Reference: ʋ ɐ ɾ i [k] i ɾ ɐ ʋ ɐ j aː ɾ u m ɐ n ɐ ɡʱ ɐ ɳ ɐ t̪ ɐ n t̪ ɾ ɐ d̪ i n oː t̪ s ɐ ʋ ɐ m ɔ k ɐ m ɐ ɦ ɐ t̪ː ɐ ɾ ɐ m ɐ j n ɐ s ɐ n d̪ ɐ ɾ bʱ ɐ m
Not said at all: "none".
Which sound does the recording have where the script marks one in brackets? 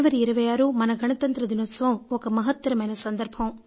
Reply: none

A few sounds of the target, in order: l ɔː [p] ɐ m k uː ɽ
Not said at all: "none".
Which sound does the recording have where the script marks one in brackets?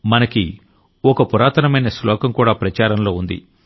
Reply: k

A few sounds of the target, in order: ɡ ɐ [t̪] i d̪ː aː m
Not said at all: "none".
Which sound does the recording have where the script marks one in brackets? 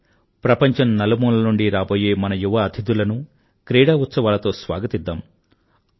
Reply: t̪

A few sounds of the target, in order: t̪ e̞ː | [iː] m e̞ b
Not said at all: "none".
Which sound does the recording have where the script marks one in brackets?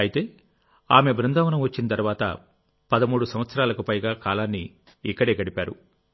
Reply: aː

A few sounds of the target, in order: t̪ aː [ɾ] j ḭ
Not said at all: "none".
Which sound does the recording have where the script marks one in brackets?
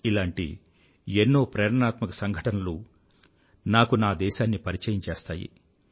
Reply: none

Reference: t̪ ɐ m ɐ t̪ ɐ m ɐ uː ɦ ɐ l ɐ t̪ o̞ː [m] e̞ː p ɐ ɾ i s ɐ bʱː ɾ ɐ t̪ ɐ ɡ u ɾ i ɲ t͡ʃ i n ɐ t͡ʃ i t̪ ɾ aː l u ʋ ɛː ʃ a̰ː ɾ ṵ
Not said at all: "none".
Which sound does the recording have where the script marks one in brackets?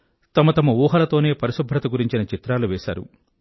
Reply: n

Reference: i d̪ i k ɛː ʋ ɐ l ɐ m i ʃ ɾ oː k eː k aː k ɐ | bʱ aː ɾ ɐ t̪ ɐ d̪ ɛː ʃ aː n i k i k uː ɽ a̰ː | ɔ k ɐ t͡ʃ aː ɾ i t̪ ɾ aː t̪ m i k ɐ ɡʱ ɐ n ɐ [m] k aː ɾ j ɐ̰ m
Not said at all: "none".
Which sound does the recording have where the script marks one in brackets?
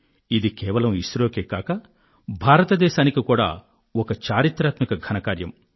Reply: none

